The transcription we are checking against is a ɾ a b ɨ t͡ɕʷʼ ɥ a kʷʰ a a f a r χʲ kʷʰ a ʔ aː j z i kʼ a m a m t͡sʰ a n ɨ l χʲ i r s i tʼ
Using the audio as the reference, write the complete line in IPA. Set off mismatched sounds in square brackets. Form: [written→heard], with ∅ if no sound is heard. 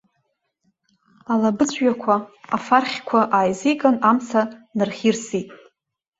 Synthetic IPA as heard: a [ɾ→l] a b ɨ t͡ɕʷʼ ɥ a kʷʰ a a f a r χʲ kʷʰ a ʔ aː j z i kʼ a [m→n] a m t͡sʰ a n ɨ [l→r] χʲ i r s i tʼ